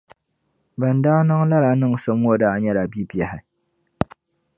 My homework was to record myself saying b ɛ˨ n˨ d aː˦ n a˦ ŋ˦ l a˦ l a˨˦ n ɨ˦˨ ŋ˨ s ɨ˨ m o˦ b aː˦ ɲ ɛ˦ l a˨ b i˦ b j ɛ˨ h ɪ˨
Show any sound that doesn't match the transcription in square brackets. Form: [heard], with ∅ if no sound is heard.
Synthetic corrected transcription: b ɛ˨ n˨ d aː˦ n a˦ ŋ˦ l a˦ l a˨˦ n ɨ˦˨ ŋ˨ s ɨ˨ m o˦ [d] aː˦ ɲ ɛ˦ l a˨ b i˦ b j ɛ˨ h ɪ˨